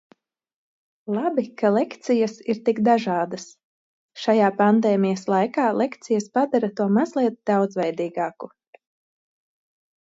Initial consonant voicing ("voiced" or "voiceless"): voiced